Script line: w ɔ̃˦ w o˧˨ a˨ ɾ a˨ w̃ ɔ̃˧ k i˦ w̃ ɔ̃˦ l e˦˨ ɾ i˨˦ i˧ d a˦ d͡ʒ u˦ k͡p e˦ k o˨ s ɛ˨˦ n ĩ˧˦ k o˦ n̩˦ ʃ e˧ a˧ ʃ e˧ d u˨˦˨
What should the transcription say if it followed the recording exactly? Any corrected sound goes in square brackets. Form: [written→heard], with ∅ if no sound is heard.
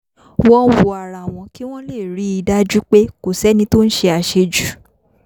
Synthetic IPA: w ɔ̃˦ w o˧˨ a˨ ɾ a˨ w̃ ɔ̃˧ k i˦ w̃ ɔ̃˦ l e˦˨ ɾ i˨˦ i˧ d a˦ d͡ʒ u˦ k͡p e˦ k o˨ s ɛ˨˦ n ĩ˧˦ [k→t] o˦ n̩˦ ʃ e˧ a˧ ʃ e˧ [d→d͡ʒ] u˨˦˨